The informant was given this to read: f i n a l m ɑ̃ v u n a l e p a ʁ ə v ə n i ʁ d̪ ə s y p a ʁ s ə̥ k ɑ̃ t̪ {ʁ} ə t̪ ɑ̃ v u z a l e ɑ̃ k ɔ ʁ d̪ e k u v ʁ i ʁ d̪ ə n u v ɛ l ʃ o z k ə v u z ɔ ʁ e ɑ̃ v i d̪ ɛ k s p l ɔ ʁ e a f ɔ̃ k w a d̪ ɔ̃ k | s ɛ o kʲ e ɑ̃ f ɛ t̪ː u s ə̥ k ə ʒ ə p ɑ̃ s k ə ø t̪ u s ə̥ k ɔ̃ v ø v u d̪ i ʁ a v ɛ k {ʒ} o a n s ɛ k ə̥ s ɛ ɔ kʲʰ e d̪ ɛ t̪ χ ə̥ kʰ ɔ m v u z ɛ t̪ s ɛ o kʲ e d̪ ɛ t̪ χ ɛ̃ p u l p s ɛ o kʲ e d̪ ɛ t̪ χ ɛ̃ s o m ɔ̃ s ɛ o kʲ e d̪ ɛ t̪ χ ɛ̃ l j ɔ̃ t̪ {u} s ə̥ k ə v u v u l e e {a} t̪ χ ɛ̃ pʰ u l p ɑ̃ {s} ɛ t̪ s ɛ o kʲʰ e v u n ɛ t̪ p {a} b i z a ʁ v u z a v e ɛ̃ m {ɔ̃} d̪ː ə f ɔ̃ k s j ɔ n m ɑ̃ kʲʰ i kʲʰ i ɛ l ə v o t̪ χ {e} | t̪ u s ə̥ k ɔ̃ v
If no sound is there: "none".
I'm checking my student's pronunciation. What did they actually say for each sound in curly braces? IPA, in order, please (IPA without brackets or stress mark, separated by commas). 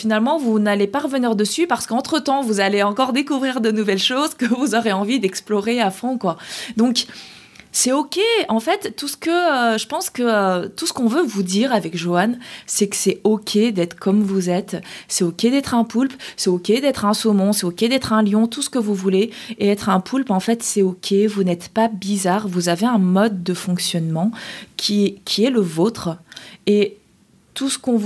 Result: χ, ʒ, u, ɛ, f, a, ɔ, e